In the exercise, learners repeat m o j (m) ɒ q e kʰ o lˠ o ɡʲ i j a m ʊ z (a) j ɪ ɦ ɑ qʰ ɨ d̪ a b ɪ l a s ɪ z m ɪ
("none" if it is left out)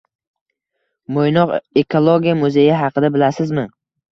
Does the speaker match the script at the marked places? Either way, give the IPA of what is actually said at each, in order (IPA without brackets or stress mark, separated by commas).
n, e